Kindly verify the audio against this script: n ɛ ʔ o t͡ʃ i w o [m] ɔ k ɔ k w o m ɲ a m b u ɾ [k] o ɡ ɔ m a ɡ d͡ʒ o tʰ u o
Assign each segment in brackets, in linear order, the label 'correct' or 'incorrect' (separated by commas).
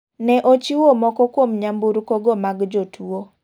correct, correct